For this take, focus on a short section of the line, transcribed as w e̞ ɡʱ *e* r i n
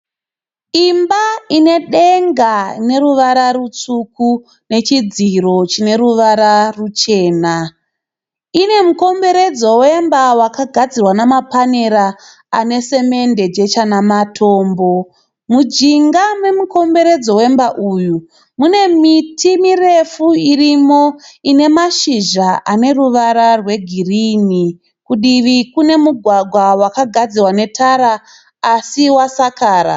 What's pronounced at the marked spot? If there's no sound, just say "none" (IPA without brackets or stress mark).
i